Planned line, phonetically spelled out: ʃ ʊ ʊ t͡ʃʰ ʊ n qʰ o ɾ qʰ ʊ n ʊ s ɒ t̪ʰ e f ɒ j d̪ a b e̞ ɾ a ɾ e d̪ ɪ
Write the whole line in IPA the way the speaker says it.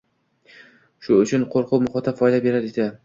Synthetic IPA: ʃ ʊ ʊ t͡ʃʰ ʊ n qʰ o ɾ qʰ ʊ m ʊ χ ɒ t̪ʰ a f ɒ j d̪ a b e̞ ɾ a ɾ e d̪ ɪ